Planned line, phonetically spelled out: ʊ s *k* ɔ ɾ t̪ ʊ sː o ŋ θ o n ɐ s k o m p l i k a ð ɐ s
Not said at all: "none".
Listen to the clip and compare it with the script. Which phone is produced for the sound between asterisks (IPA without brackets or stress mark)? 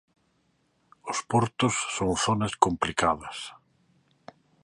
p